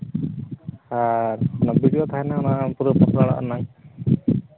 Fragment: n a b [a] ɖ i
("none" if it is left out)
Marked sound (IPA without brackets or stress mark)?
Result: i